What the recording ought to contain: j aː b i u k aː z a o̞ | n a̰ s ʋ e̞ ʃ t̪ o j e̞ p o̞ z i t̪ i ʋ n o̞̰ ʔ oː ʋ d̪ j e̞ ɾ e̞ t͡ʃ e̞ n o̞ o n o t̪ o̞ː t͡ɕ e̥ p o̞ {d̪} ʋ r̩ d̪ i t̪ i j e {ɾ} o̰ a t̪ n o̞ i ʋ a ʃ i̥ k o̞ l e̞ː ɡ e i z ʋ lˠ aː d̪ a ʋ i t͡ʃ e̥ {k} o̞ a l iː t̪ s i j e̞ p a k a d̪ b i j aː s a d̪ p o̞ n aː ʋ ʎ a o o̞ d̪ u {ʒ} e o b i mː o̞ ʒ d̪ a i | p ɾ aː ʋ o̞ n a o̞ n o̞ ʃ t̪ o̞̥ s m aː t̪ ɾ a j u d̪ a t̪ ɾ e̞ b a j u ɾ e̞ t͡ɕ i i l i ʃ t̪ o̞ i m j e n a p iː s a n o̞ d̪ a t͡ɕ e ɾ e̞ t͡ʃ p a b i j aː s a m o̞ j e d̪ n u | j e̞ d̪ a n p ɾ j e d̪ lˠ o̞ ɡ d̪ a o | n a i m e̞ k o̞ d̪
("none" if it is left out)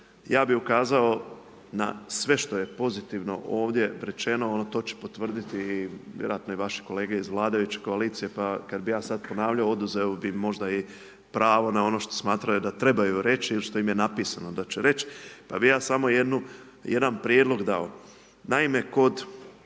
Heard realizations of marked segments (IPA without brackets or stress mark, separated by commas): t̪, ɾ, k, z